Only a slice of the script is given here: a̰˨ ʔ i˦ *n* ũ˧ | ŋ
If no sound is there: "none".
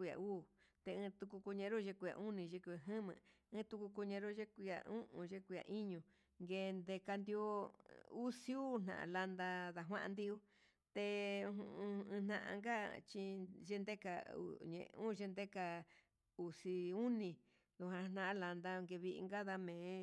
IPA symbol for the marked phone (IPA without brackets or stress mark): ɲ